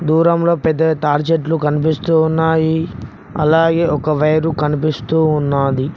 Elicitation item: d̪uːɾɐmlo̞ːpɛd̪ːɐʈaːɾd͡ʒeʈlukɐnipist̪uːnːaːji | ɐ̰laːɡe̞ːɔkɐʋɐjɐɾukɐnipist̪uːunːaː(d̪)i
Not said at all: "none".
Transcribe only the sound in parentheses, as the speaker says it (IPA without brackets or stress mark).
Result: d̪